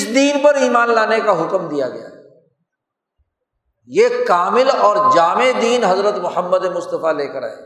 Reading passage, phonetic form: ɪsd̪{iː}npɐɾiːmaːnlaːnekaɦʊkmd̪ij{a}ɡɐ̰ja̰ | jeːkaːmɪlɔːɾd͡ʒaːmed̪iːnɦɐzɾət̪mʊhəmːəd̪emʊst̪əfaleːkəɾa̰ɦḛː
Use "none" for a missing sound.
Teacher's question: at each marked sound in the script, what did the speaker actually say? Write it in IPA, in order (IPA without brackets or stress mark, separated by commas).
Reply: iː, a